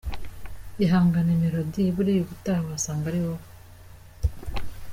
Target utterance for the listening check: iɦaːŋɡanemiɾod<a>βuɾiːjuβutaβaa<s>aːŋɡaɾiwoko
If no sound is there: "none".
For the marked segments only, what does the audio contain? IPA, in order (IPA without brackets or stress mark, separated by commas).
i, s